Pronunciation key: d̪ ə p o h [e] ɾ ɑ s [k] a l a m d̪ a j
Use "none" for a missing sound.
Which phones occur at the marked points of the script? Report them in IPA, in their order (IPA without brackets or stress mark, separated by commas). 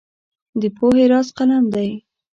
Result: e, q